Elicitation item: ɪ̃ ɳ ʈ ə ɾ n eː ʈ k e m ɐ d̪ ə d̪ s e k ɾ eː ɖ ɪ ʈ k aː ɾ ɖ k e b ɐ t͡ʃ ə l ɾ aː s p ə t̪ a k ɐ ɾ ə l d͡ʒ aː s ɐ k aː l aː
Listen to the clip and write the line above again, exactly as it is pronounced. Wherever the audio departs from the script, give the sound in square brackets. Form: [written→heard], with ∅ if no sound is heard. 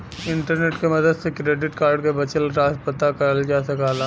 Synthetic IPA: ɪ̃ ɳ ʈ ə ɾ n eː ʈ k e m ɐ d̪ ə d̪ s e k ɾ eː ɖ ɪ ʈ k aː ɾ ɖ k e b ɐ t͡ʃ ə l ɾ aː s p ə t̪ a k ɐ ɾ ə l d͡ʒ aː s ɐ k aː l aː